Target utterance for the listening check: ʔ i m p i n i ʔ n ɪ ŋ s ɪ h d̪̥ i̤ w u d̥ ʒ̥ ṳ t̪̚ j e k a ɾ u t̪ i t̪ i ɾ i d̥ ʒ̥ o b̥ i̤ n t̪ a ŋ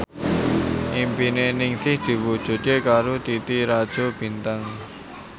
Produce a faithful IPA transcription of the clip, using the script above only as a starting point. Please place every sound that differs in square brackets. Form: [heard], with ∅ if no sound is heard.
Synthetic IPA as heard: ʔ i m p i n [e] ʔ n ɪ ŋ s ɪ h d̪̥ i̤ w u d̥ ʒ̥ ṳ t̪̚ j e k a ɾ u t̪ i t̪ i ɾ [a] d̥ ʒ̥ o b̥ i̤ n t̪ a ŋ